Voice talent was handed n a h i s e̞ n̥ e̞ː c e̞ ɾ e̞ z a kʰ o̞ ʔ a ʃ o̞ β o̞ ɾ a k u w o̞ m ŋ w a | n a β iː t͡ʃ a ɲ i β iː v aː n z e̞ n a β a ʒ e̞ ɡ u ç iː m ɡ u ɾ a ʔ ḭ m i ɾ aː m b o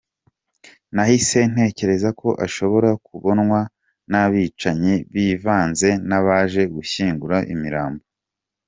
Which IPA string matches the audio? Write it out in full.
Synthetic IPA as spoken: n a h i s e̞ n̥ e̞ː c e̞ ɾ e̞ z a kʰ o̞ ʔ a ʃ o̞ β o̞ ɾ a k u β o̞ n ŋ w a | n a β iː t͡ʃ a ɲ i β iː v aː n z e̞ n a β a ʒ e̞ ɡ u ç iː ŋ ɡ u ɾ a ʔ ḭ m i ɾ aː m b o